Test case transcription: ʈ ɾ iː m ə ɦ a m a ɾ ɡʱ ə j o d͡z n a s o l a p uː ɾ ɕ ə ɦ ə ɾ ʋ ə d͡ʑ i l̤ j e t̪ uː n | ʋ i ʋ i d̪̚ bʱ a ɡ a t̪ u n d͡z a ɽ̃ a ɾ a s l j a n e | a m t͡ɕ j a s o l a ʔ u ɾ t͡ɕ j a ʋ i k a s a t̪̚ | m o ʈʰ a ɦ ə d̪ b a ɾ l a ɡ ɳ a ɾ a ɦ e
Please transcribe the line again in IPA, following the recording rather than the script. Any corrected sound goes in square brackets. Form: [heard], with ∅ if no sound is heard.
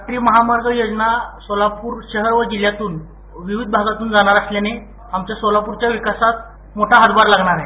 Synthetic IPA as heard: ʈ ɾ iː m ə ɦ a m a ɾ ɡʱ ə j o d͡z n a s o l a p uː ɾ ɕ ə ɦ ə ɾ ʋ ə d͡ʑ i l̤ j [a] t̪ uː n | ʋ i ʋ i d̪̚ bʱ a ɡ a t̪ [uː] n d͡z a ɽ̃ a ɾ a s l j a n e | a m t͡ɕ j a s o l a [p] u ɾ t͡ɕ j a ʋ i k a s a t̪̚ | m o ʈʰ a ɦ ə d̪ b a ɾ l a ɡ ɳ a ɾ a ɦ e